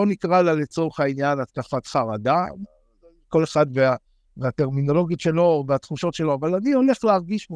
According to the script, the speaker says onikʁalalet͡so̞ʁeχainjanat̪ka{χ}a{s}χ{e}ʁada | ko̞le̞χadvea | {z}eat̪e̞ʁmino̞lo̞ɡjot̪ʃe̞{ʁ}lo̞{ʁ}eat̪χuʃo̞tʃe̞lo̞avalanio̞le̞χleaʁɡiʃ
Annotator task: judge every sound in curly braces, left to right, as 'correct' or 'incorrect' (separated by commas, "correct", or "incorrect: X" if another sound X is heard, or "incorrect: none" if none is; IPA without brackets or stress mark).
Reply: incorrect: f, incorrect: t, incorrect: a, incorrect: v, incorrect: none, incorrect: v